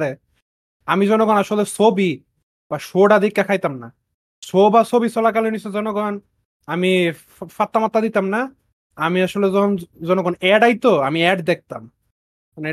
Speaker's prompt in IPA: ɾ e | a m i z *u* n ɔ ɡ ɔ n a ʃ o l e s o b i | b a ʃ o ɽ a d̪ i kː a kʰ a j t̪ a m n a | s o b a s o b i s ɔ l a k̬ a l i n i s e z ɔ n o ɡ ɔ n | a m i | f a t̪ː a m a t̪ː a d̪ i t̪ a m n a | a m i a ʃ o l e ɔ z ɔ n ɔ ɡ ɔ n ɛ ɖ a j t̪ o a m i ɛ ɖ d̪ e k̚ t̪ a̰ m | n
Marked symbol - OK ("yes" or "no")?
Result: no